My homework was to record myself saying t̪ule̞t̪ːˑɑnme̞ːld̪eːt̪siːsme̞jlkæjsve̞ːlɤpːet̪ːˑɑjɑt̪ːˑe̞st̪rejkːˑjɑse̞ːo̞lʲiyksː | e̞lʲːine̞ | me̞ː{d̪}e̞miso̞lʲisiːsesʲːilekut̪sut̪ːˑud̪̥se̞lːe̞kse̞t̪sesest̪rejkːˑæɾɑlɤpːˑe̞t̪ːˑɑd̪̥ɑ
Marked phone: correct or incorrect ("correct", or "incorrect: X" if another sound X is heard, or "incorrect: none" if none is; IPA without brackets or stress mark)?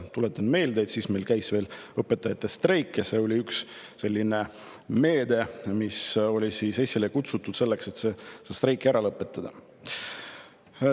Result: correct